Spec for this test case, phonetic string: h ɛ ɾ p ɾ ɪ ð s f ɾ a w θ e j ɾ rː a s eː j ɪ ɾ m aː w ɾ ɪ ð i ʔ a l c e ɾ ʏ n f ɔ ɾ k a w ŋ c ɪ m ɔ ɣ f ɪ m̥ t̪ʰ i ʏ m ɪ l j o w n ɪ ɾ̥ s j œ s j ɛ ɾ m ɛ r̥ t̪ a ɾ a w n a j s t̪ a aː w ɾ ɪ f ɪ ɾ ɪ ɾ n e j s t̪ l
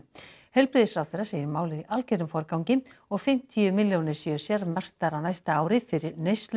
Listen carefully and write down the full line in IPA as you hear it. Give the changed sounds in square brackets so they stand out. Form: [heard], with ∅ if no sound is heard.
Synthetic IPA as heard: h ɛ [l] p ɾ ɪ ð s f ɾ a w θ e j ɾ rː a s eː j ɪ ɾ m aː w [l] ɪ ð i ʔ a l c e ɾ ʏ [m] f ɔ ɾ k a w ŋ c ɪ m ɔ ɣ f ɪ m̥ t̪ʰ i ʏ m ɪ l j o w n ɪ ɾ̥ s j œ s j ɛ ɾ m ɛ r̥ t̪ a ɾ a w n a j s t̪ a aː w ɾ ɪ f ɪ ɾ ɪ ɾ n e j s t̪ l

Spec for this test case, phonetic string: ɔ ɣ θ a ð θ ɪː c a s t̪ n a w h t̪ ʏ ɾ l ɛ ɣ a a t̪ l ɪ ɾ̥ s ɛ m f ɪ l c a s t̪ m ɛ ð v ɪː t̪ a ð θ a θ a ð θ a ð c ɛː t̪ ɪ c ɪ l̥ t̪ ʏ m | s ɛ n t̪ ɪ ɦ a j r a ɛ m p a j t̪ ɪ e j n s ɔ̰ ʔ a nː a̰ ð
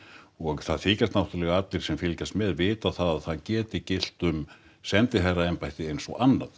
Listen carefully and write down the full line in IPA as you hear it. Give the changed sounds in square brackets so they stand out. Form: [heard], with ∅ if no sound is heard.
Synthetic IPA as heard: ɔ ɣ θ a ð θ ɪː c a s t̪ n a w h t̪ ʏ ɾ l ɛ ɣ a a t̪ l ɪ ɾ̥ s ɛ m f ɪ l c a s t̪ m ɛ ð v ɪː t̪ a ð θ a [ð] a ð θ a ð c ɛː t̪ ɪ c ɪ l̥ t̪ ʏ m | s ɛ n t̪ ɪ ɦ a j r a ɛ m p a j t̪ ɪ e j n s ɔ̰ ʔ a nː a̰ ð

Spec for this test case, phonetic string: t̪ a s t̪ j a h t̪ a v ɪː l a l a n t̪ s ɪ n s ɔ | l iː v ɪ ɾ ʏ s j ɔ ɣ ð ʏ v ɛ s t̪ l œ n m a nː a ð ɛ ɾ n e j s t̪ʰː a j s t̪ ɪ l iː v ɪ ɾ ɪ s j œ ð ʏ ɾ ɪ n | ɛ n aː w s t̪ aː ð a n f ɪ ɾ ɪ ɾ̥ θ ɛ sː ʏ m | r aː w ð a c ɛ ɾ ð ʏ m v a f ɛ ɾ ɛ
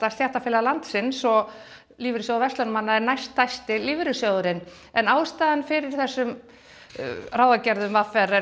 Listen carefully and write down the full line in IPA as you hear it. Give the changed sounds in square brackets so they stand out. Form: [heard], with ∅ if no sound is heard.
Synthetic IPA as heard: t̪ a s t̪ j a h t̪ a [f] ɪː l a l a n t̪ s ɪ n s ɔ | l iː v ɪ ɾ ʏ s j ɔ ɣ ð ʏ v ɛ s t̪ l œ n m a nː a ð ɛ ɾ n [a] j s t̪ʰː a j s t̪ ɪ l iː v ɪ ɾ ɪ s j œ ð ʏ ɾ ɪ n | ɛ n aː w s t̪ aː ð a n f ɪ ɾ ɪ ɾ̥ θ ɛ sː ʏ m | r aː w ð a c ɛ ɾ ð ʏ m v a f ɛ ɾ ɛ

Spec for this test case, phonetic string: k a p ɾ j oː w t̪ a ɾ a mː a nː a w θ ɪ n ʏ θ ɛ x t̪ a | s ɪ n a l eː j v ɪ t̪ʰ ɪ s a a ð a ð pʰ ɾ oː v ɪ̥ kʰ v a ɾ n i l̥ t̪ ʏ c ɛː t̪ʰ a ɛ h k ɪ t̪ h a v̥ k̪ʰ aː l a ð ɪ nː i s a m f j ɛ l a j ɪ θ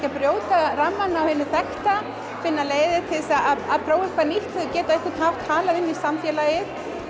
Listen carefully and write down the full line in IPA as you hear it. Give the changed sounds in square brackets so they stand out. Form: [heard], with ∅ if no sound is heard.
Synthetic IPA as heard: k a p ɾ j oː w t̪ a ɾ a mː a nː a w [h] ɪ n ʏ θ ɛ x t̪ a | [f] ɪ [nː] a l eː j [ð] ɪ t̪ʰ ɪ s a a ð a ð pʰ ɾ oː [w] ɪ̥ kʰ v a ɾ n i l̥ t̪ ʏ c ɛː [t̪] a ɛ h k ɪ t̪ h a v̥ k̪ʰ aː l a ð ɪ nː i s a m f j ɛ l a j ɪ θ

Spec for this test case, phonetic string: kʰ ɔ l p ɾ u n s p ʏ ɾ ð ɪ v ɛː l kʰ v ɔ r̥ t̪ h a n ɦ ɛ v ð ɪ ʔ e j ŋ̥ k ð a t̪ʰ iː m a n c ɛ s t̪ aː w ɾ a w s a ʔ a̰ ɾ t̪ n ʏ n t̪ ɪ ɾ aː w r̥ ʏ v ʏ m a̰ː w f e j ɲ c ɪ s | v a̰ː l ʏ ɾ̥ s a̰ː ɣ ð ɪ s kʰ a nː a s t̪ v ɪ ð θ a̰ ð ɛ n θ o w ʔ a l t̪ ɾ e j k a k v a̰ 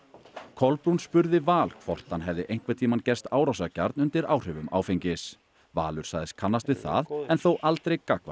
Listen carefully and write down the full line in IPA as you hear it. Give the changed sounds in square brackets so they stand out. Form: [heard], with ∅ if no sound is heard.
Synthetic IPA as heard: kʰ ɔ l p ɾ u n s p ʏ ɾ ð ɪ v [aː] l kʰ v ɔ r̥ t̪ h a n ɦ ɛ v ð ɪ ʔ e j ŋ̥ k [v] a t̪ʰ iː m a n c ɛ s t̪ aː w ɾ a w s a [c] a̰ ɾ t̪ n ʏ n t̪ ɪ ɾ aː w r̥ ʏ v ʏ m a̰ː w f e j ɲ c ɪ s | v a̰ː l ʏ ɾ̥ s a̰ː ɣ ð ɪ s kʰ a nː a s t̪ v ɪ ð θ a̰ ð ɛ n θ o w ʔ a l t̪ ɾ e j k a k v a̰

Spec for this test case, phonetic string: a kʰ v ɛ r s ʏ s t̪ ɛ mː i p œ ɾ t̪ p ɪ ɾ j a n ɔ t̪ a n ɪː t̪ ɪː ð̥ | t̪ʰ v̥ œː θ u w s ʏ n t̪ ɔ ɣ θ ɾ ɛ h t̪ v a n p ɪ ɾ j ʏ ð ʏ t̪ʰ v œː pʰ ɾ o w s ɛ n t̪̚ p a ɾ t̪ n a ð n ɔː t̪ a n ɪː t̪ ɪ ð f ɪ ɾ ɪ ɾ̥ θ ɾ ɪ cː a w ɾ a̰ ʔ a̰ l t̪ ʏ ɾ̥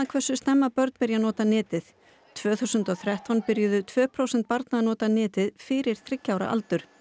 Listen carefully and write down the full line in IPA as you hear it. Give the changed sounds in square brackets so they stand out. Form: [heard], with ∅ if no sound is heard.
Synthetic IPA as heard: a kʰ v ɛ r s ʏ s t̪ ɛ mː [a] p œ ɾ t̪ p ɪ ɾ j a n [ɔː] t̪ a n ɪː t̪ [ɪ] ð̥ | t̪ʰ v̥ œː θ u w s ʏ n t̪ ɔ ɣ θ ɾ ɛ h t̪ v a n p ɪ ɾ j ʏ ð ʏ t̪ʰ v œː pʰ ɾ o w s ɛ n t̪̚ p a ɾ t̪ n a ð n ɔː t̪ a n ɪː t̪ ɪ ð f ɪ ɾ ɪ ɾ̥ θ ɾ ɪ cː a w ɾ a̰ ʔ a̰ l t̪ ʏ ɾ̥

